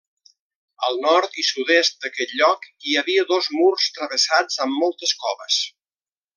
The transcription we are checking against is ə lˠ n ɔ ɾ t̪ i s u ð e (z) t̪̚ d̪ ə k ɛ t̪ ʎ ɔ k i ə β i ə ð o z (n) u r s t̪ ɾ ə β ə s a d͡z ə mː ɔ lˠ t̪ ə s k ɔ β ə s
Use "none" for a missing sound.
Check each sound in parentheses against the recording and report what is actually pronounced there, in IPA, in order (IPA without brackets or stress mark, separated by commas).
s, m